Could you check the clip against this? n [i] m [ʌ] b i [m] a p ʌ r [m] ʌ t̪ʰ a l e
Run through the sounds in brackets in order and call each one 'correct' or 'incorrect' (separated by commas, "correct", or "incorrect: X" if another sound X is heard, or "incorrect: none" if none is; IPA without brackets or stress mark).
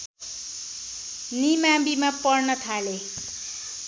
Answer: correct, incorrect: a, correct, incorrect: n